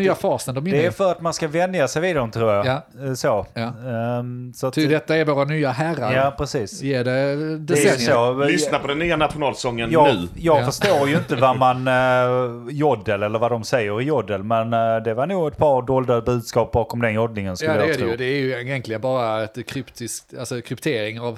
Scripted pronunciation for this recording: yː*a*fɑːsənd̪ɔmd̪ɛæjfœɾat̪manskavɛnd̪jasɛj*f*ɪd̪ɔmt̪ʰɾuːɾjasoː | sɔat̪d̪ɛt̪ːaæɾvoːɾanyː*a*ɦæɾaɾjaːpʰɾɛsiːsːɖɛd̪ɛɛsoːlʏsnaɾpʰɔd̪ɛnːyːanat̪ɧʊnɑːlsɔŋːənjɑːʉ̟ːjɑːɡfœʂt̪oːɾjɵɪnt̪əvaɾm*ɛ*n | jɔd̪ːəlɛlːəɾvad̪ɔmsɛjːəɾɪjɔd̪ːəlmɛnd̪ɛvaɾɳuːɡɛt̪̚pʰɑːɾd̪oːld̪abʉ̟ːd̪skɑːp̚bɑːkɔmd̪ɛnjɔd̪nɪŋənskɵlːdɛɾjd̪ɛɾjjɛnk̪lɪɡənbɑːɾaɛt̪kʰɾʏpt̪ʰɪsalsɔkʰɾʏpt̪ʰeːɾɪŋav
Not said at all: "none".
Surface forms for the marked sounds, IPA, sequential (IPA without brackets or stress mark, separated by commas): a, v, a, a